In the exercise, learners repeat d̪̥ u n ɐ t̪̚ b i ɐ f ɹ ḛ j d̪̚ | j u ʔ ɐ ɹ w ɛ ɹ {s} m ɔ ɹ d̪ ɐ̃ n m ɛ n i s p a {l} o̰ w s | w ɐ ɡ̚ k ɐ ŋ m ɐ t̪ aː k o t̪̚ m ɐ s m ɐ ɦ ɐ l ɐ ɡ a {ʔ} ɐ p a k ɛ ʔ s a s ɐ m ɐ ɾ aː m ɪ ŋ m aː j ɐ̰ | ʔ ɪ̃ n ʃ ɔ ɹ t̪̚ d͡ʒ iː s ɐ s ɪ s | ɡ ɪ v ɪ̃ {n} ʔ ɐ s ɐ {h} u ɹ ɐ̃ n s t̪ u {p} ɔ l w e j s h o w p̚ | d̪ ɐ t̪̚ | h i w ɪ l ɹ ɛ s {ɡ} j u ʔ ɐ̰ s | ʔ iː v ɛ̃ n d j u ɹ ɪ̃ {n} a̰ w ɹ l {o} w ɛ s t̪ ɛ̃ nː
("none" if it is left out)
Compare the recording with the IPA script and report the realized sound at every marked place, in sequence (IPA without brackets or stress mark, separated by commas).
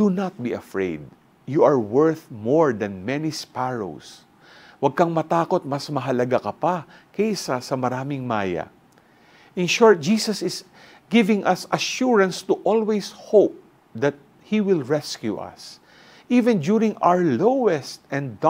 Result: θ, ɹ, k, ŋ, ʃ, ʔ, k, ŋ, o